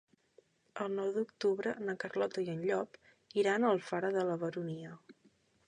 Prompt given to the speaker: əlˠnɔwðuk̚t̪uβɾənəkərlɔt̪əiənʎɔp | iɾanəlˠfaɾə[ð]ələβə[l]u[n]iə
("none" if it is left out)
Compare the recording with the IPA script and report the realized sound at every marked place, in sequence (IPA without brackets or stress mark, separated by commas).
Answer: ð, ɾ, n